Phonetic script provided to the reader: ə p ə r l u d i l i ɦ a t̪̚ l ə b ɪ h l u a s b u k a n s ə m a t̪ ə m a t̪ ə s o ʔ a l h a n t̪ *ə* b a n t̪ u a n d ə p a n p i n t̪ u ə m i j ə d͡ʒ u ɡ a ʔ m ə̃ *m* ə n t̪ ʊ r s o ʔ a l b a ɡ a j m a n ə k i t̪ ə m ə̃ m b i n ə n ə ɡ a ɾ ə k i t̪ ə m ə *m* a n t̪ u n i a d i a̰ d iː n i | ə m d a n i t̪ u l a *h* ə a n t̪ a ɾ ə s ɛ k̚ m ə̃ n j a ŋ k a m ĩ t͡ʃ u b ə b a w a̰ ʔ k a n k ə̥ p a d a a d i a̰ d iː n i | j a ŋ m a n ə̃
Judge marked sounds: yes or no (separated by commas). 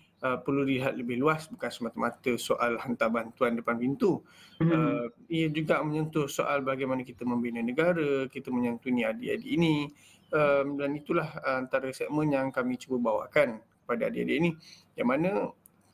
no, no, no, yes